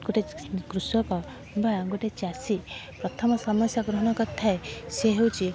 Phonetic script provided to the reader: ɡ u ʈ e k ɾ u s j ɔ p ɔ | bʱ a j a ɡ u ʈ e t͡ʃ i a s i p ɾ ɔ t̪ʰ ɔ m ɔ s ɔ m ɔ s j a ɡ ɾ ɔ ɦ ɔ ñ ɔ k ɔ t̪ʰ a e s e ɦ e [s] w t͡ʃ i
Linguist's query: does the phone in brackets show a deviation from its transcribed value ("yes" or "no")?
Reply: yes